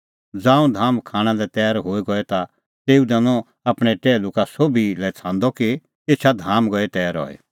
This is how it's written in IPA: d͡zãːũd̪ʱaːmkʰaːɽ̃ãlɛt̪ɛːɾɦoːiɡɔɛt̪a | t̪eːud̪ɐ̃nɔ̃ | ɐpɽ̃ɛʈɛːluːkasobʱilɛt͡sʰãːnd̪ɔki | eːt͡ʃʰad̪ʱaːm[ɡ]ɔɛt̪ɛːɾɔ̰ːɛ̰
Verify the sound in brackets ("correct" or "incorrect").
correct